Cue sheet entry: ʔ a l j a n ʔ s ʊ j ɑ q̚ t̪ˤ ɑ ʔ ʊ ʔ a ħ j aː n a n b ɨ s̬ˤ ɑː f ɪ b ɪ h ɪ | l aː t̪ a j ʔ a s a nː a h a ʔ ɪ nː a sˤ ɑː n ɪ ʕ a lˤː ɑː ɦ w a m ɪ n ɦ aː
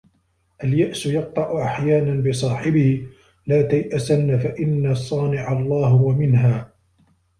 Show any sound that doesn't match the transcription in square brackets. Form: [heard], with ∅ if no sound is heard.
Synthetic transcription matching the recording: ʔ a l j a [∅] ʔ s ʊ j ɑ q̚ t̪ˤ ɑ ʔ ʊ ʔ a ħ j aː n a n b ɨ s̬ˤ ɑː [ħ] ɪ b ɪ h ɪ | l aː t̪ a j ʔ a s a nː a [f] a ʔ ɪ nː a sˤ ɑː n ɪ ʕ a lˤː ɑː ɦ w a m ɪ n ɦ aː